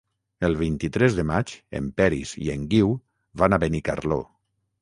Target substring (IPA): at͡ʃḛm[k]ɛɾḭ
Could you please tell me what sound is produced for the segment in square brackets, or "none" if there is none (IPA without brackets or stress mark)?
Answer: p